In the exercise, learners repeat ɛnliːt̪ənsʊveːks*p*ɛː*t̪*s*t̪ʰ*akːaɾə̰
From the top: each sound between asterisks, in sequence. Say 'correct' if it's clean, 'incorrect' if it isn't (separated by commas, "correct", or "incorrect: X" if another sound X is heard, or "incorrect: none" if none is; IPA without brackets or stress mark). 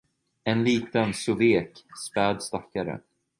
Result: correct, incorrect: d̪, incorrect: t̪